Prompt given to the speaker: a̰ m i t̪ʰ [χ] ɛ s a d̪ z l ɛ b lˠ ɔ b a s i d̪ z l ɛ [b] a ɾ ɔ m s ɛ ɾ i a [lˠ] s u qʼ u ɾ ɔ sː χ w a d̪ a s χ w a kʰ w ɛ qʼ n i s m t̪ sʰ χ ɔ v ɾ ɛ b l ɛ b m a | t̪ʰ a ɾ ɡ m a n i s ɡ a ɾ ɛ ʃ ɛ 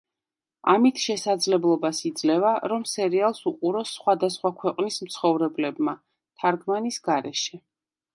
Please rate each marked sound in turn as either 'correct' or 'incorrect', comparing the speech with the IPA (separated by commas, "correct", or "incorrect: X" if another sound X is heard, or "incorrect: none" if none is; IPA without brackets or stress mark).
incorrect: ʃ, incorrect: v, correct